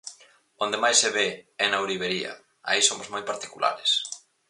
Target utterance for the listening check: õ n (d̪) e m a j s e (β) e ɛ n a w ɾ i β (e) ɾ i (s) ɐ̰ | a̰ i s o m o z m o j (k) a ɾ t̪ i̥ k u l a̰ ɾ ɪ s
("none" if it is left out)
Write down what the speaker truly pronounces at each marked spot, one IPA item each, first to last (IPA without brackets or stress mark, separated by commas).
d̪, β, e, none, p